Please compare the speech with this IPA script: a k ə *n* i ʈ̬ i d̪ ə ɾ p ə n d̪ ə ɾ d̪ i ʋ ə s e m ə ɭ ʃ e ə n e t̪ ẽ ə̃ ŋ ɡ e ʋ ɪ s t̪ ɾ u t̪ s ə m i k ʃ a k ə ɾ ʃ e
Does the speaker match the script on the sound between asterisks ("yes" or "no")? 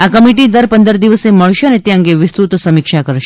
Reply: no